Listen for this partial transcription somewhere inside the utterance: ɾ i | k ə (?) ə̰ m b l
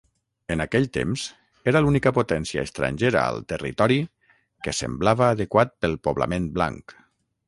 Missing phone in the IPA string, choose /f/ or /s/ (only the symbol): s